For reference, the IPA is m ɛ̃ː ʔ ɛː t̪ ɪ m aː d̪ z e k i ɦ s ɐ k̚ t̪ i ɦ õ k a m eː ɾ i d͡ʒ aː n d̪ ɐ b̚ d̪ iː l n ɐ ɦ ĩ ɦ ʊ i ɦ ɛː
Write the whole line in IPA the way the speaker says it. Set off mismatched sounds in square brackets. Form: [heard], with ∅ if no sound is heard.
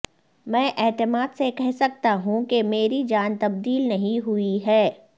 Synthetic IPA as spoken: m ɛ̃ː ʔ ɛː t̪ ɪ m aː d̪ [s] e k [ɛ] ɦ s ɐ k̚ t̪ [a] ɦ [ũ] k [e] m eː ɾ i d͡ʒ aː n [t̪] ɐ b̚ d̪ iː l n ɐ ɦ ĩ ɦ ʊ i ɦ ɛː